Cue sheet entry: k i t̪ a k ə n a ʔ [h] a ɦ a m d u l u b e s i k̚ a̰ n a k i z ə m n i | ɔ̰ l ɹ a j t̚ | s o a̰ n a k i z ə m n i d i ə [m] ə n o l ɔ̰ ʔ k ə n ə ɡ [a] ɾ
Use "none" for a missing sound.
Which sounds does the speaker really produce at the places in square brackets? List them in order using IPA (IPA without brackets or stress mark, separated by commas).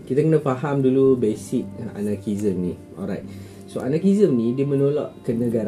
f, m, a